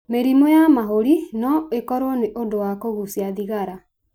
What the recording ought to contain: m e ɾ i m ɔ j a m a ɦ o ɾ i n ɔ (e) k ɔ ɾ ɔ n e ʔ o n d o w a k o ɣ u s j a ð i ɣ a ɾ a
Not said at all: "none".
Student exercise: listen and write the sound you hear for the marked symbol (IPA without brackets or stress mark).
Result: e